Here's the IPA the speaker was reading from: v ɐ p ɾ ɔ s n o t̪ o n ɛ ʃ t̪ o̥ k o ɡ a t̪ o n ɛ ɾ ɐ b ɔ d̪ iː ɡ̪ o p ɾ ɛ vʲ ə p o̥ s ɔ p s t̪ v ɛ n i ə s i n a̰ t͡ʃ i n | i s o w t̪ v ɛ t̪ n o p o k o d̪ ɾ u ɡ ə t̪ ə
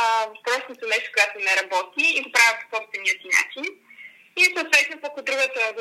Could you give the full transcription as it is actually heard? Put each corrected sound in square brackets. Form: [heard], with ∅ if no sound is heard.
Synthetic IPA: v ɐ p ɾ ɔ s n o t̪ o n ɛ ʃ t̪ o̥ k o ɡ a t̪ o n ɛ ɾ ɐ b ɔ [t̪] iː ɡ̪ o p ɾ [a] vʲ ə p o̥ s ɔ p s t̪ v ɛ n i ə s i n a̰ t͡ʃ i n | i s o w t̪ v ɛ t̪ n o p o k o d̪ ɾ u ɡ ə t̪ ə